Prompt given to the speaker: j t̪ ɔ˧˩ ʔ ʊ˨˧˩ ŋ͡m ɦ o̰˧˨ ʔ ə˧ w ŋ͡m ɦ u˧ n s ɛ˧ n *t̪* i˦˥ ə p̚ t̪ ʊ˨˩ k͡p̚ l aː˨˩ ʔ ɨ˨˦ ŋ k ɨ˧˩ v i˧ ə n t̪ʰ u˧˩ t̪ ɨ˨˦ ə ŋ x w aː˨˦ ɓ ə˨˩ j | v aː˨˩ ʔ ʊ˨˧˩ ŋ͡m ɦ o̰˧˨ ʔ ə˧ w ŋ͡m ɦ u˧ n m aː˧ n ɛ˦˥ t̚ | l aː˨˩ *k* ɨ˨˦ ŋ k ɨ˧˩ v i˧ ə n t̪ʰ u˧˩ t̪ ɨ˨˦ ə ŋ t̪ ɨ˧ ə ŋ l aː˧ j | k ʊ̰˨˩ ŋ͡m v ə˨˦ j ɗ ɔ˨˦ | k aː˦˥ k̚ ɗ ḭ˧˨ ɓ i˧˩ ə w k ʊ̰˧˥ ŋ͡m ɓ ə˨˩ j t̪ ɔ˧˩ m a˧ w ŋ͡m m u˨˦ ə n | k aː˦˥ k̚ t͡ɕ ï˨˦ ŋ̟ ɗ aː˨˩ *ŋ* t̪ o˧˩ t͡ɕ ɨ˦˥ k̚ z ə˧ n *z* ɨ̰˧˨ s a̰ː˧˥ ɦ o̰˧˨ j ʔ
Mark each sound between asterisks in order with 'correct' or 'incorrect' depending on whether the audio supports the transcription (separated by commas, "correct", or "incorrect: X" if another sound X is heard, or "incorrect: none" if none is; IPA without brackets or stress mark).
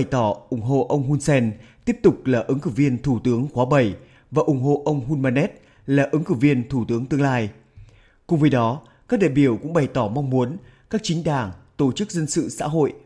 correct, incorrect: ʔ, correct, incorrect: s